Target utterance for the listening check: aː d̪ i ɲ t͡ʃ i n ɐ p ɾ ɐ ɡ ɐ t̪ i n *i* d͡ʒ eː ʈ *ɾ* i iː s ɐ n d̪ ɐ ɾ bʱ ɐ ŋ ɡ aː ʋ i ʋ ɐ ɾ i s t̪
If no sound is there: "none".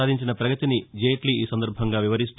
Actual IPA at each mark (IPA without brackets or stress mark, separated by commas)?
i, l